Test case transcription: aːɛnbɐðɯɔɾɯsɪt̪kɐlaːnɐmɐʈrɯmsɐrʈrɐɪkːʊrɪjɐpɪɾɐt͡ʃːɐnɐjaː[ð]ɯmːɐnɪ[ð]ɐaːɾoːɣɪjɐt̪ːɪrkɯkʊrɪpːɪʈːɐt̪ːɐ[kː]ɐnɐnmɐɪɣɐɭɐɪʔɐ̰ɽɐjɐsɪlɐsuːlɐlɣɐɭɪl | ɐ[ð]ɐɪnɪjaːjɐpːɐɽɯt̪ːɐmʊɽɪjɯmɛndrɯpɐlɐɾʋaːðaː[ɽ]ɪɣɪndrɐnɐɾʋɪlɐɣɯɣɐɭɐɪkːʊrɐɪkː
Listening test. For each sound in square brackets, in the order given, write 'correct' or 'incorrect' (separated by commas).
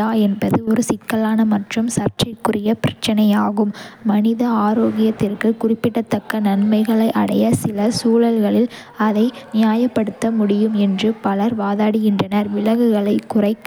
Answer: incorrect, correct, correct, correct, correct